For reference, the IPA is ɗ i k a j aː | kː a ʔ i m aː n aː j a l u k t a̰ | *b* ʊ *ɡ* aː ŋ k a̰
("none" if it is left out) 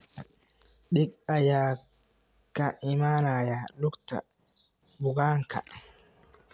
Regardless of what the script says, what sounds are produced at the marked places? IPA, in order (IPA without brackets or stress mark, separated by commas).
b, ɡ